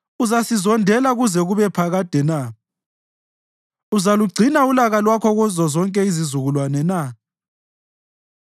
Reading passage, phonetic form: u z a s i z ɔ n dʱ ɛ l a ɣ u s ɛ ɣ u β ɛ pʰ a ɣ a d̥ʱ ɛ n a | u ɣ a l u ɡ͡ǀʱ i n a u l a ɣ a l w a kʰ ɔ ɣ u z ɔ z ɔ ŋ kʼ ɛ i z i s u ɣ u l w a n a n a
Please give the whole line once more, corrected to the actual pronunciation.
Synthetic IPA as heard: u z a s i z ɔ n dʱ ɛ l a ɣ u z ɛ ɣ u β ɛ pʰ a ɣ a d̥ʱ ɛ n a | u z a l u ɡ͡ǀʱ i n a u l a ɣ a l w a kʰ ɔ ɣ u z ɔ z ɔ ŋ kʼ ɛ i z i z u ɣ u l w a n ɛ n a